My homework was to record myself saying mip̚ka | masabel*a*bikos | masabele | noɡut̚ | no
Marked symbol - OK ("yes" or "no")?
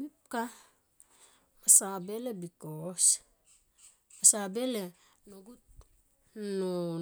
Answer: no